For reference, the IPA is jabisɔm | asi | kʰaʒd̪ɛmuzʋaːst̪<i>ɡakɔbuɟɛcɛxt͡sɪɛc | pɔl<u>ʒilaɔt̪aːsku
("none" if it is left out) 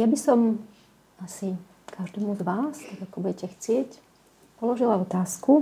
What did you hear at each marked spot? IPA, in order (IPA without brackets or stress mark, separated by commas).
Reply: a, ɔ